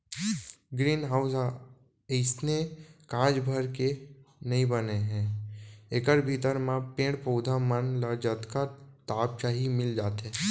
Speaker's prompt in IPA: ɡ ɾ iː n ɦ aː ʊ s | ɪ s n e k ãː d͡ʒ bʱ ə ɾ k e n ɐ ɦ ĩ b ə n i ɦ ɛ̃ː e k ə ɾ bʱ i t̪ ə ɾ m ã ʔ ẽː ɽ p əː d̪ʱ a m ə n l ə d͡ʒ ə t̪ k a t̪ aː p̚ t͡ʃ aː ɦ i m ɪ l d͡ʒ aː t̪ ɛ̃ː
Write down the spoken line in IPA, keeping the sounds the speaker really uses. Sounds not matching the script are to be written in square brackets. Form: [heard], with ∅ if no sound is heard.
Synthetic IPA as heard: ɡ ɾ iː n ɦ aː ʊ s | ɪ s n e k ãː d͡ʒ bʱ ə ɾ k e n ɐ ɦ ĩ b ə n [e] ɦ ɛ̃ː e k ə ɾ bʱ i t̪ ə ɾ m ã [p] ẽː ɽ p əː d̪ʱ a m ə n l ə d͡ʒ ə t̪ k a t̪ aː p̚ t͡ʃ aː ɦ i m ɪ l d͡ʒ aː t̪ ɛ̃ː